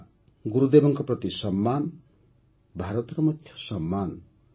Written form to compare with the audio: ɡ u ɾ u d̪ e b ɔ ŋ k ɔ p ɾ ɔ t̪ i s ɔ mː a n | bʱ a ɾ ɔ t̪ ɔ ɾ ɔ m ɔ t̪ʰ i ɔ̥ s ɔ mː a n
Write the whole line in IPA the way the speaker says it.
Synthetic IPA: ɡ u ɾ u d̪ e b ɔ ŋ k ɔ p ɾ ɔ t̪ i s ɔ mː a n | bʱ a ɾ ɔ t̪ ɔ ɾ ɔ m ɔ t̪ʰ j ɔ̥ s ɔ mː a n